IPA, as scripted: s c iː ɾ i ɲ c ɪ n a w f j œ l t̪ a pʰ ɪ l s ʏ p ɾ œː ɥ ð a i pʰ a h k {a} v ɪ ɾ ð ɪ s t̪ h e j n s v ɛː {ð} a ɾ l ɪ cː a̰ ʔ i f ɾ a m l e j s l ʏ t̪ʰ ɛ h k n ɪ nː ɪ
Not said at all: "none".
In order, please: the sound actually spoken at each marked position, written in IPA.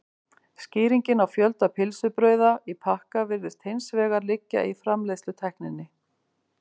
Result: a, ɣ

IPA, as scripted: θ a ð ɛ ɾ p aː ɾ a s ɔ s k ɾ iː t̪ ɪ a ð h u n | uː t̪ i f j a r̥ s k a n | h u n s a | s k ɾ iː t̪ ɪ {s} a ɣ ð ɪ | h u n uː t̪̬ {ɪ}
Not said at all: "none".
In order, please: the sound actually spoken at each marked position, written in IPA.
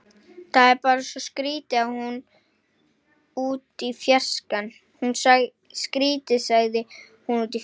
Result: s, i

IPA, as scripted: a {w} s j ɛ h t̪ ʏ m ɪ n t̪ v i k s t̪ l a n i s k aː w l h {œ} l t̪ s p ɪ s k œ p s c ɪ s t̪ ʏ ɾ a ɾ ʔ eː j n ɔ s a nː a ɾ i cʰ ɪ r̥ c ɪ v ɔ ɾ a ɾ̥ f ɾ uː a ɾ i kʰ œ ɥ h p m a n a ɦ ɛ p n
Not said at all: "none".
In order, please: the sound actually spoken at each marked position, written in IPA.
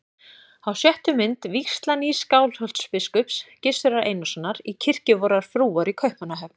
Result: w, œ

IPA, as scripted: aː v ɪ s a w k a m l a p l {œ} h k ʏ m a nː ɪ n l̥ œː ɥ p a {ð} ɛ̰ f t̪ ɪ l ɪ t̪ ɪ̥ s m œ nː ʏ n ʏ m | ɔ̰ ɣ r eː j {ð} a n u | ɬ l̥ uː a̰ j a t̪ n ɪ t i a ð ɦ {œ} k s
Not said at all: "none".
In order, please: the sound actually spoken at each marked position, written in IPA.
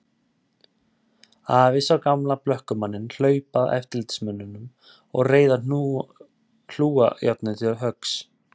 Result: œ, ð, ð, œ

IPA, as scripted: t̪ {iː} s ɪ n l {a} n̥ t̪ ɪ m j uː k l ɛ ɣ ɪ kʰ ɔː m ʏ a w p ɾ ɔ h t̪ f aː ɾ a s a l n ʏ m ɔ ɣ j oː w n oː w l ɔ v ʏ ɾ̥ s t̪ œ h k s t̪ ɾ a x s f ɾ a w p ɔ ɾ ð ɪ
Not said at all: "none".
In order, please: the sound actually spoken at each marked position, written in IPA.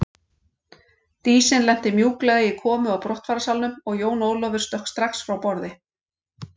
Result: iː, ɛ

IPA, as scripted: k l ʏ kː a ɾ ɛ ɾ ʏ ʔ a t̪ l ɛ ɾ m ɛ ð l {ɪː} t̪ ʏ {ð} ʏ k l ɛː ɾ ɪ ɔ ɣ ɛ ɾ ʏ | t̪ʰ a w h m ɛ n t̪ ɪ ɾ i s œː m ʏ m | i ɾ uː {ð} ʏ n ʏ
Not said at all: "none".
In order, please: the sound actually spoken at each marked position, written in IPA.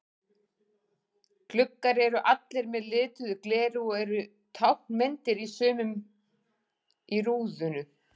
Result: ɪː, ð, ð

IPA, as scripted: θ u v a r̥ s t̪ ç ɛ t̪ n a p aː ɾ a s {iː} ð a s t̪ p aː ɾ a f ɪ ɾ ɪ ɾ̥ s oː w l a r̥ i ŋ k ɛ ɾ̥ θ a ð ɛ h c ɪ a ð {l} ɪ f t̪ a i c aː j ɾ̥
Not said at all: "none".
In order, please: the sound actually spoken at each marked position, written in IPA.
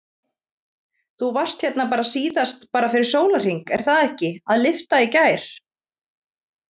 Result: iː, l

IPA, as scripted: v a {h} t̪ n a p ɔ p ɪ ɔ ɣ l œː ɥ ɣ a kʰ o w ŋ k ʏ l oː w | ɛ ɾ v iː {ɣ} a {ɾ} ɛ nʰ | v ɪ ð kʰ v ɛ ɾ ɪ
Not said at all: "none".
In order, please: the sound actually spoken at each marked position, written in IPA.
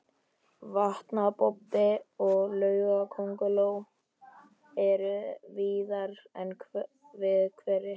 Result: h, ð, ɾ

